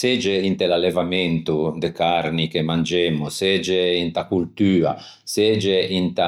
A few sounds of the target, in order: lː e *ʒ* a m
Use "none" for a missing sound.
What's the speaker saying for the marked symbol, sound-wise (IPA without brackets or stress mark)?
v